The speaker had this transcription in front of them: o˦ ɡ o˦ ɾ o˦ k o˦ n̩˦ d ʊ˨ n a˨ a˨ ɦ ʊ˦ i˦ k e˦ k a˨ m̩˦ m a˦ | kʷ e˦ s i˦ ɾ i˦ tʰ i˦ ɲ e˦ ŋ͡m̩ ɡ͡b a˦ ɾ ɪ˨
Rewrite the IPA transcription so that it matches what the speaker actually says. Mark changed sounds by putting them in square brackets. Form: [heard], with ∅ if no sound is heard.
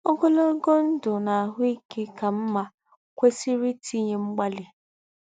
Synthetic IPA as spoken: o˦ ɡ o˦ [l] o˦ [ɡ] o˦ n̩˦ d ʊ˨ n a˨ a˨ ɦ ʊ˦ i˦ k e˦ k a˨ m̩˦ m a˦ | kʷ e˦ s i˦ ɾ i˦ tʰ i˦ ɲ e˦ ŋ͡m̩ ɡ͡b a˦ [l] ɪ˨